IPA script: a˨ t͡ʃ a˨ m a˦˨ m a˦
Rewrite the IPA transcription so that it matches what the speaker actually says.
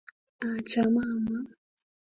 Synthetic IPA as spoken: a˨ t͡ʃ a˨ m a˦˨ m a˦

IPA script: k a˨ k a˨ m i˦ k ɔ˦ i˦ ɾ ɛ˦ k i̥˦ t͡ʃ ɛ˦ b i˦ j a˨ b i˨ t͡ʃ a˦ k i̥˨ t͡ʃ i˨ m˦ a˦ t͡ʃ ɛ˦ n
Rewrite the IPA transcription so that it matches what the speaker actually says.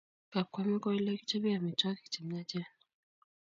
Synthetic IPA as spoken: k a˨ k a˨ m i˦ k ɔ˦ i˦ l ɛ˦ k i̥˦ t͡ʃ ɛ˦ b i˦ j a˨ m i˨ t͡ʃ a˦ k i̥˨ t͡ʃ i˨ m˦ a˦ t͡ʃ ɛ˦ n

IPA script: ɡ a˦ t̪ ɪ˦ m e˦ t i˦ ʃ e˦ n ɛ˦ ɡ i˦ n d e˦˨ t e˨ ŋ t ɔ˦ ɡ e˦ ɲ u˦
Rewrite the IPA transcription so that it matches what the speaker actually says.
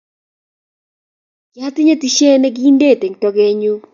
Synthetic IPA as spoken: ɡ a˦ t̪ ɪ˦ ɲ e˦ t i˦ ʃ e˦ n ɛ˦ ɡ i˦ n d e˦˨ t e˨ ŋ t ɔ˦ ɡ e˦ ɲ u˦

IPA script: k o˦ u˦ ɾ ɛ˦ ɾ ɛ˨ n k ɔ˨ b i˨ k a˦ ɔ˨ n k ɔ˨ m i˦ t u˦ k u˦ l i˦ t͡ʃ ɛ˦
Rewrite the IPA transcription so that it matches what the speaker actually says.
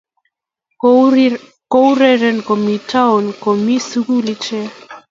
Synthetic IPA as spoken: k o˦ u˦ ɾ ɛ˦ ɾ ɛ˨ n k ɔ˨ m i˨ t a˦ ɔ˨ n k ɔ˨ m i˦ s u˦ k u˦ l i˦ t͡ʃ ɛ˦

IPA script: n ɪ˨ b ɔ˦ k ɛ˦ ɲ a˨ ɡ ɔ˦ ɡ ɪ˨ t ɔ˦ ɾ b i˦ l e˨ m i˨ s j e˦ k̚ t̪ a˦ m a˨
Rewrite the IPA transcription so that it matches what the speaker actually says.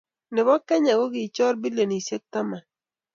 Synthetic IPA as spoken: n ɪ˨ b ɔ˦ k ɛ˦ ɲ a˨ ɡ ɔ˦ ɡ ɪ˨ t͡ʃ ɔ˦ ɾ b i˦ l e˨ n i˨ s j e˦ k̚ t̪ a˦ m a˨

